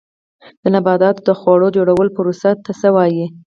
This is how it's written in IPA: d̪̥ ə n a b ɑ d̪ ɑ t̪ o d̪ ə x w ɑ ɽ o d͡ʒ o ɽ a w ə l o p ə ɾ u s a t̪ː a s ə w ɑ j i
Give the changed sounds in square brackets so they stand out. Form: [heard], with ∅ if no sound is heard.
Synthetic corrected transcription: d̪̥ ə n a b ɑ d̪ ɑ t̪ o d̪ ə x w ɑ ɽ o d͡ʒ o ɽ a w ə l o p ə ɾ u s a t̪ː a s ə w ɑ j i